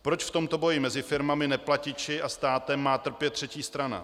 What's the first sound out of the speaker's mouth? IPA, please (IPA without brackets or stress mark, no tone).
p